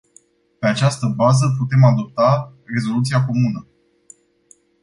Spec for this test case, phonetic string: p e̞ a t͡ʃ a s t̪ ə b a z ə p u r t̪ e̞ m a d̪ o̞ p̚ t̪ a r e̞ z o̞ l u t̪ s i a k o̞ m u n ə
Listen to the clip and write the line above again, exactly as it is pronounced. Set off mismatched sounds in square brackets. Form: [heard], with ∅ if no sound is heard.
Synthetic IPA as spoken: p e̞ a t͡ʃ a s t̪ ə b a z ə p u [∅] t̪ e̞ m a d̪ o̞ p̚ t̪ a r e̞ z o̞ l u t̪ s i a k o̞ m u n ə